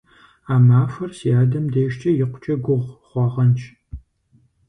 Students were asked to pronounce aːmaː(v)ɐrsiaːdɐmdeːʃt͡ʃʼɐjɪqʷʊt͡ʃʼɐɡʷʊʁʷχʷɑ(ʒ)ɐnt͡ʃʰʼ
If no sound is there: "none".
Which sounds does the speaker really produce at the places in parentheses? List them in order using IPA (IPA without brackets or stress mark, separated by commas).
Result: f, ʁ